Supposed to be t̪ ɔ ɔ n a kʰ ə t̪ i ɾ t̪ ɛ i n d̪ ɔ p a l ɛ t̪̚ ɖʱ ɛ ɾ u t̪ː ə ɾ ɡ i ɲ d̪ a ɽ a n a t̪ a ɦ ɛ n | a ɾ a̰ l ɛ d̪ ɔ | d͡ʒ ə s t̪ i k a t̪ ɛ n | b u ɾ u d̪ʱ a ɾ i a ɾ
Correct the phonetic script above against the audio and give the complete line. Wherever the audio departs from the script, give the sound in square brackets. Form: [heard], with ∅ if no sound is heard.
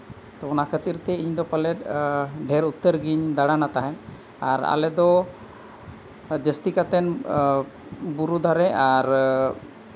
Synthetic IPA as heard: t̪ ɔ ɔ n a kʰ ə t̪ i ɾ t̪ ɛ i [ɲ] d̪ ɔ p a l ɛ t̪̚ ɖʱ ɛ ɾ u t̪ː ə ɾ ɡ i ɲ d̪ a ɽ a n a t̪ a ɦ ɛ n | a ɾ a̰ l ɛ d̪ ɔ | d͡ʒ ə s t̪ i k a t̪ ɛ n | b u ɾ u d̪ʱ a ɾ [ɛ] a ɾ